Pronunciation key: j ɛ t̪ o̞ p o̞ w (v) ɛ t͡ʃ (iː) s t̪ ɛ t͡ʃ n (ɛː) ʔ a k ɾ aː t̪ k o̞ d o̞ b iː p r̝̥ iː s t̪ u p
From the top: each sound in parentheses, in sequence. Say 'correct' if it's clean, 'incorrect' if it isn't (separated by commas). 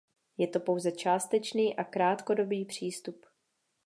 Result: incorrect, incorrect, incorrect